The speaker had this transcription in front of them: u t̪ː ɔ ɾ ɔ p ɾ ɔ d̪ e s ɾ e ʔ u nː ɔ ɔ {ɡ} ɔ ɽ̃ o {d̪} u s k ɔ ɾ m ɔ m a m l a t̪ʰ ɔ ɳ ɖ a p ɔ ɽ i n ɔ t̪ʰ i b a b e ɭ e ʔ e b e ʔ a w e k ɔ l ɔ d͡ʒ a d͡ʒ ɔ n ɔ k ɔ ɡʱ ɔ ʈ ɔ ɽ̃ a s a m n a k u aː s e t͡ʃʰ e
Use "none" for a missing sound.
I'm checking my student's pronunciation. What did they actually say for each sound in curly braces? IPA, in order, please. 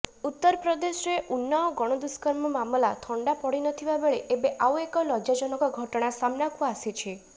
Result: ɡ, d̪

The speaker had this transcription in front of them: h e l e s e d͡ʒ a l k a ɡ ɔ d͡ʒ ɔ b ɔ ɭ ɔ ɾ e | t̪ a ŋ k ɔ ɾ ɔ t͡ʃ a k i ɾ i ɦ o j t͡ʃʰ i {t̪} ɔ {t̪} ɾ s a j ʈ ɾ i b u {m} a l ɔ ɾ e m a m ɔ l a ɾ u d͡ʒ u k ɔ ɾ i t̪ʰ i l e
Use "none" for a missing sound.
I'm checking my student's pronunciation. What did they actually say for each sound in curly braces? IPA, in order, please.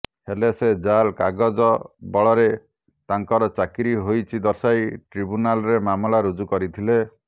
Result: d̪, none, n

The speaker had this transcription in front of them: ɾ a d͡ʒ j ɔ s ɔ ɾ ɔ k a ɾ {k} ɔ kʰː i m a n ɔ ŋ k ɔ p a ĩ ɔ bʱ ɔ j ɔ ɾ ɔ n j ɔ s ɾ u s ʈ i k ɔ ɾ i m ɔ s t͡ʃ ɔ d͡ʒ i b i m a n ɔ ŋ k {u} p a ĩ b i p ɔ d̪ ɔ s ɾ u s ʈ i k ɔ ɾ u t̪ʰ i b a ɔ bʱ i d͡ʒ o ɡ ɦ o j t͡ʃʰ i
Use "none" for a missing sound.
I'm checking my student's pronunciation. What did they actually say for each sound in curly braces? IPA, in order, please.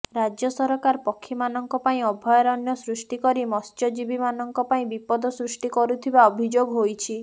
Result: p, ɔ

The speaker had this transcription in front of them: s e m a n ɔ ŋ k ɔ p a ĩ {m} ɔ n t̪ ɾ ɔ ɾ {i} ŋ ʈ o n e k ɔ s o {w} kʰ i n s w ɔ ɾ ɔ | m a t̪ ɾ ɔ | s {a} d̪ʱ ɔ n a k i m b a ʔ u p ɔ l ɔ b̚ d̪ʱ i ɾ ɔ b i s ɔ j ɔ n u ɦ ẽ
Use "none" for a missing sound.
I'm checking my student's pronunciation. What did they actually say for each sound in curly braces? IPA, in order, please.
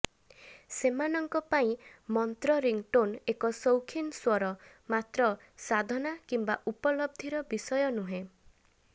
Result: m, i, w, a

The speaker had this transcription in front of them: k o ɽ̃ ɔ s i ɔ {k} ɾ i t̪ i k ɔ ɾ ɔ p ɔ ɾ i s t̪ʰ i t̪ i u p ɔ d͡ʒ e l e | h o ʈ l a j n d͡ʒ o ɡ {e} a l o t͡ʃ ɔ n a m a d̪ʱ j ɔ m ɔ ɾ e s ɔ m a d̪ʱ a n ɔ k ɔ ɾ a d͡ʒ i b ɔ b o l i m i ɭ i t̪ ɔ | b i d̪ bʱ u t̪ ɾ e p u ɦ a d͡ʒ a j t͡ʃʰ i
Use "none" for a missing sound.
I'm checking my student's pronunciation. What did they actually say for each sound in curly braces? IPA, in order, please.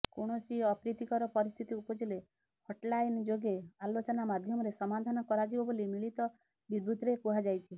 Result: p, e

